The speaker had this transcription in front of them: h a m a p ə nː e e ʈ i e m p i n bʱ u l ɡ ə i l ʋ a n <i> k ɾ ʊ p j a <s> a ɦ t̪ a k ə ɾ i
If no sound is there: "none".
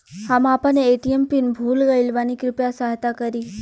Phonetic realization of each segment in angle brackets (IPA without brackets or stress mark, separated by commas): i, s